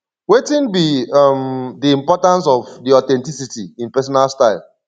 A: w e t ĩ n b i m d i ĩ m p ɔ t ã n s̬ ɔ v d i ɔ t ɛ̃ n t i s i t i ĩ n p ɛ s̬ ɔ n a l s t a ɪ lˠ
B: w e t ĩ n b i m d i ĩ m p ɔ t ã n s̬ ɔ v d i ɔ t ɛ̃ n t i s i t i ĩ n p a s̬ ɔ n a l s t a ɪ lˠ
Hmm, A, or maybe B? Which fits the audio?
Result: A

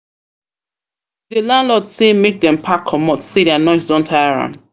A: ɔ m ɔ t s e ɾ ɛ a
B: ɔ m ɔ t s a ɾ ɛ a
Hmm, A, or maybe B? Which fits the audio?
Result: A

